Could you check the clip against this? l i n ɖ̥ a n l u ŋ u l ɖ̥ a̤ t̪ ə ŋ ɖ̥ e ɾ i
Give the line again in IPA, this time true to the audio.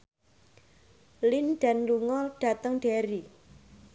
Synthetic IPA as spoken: l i n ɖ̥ a n l u ŋ ɔ l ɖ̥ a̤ t̪ ə ŋ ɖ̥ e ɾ i